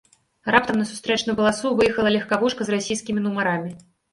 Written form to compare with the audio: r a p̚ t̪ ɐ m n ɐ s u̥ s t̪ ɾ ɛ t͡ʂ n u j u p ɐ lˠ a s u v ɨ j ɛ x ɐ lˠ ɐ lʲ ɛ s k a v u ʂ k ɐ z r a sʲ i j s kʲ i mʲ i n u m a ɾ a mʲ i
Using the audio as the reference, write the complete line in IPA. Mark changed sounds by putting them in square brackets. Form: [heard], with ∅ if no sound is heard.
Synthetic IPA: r a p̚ t̪ ɐ m n ɐ s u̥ s t̪ ɾ ɛ t͡ʂ n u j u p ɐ lˠ a s u v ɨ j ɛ x ɐ lˠ ɐ lʲ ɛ [x] k a v u ʂ k ɐ z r a sʲ i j s kʲ i mʲ i n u m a ɾ a mʲ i